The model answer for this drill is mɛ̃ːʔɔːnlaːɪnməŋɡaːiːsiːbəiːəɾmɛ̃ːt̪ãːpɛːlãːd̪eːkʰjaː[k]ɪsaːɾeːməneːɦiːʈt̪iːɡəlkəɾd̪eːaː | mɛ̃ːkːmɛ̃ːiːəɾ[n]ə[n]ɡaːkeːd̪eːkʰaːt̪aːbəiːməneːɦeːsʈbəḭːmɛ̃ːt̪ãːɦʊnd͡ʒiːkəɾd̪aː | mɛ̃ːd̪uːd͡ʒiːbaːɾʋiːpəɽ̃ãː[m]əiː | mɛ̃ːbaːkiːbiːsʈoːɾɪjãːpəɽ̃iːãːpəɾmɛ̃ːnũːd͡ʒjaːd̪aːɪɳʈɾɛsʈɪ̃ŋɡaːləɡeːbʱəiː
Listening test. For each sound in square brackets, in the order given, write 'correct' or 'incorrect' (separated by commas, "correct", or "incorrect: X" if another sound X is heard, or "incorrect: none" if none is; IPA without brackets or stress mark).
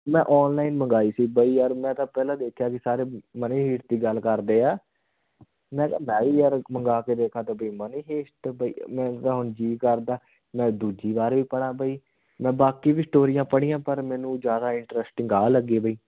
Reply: correct, incorrect: m, incorrect: ŋ, incorrect: b